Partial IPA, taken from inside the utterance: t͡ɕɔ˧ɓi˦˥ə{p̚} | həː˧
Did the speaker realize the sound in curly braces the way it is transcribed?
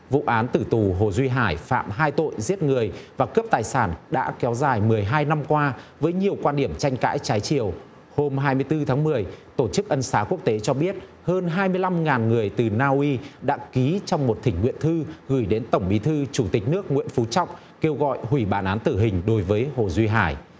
no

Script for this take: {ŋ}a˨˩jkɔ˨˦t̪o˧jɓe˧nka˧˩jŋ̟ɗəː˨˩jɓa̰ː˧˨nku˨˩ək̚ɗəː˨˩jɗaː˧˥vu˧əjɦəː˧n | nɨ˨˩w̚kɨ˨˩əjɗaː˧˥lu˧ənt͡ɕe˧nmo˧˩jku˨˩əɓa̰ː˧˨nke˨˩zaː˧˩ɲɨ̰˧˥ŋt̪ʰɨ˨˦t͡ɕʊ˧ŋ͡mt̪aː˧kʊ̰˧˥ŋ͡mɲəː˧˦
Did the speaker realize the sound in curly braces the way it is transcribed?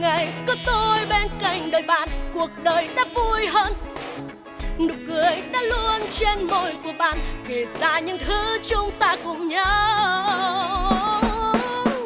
yes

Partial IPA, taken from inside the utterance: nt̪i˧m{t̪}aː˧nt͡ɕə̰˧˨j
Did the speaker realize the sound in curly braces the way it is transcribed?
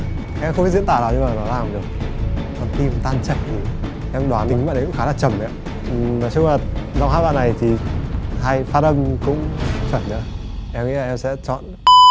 yes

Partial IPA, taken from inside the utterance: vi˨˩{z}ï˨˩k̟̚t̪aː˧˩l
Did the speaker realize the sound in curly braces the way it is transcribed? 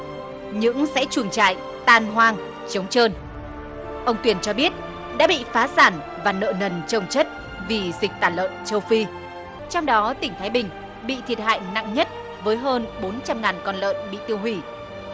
yes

